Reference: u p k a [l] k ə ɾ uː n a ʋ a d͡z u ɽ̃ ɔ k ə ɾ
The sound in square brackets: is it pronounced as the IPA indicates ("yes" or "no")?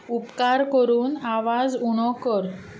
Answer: no